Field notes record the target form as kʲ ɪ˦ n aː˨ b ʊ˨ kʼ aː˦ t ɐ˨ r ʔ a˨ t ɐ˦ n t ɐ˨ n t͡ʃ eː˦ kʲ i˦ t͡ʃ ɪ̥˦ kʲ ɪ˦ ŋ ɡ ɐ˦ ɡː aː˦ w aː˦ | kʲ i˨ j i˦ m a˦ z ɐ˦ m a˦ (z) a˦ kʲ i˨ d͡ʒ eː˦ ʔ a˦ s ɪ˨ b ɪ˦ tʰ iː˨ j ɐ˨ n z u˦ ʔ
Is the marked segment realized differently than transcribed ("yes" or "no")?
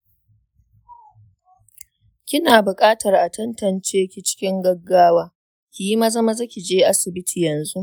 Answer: no